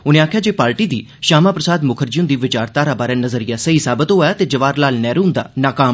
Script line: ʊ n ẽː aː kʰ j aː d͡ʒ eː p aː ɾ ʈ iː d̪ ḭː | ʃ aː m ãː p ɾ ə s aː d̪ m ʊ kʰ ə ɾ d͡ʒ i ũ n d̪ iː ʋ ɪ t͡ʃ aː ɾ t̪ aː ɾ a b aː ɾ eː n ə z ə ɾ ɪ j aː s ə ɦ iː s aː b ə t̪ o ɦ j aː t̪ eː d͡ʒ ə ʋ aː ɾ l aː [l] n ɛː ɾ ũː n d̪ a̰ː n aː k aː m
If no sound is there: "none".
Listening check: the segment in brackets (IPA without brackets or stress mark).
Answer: l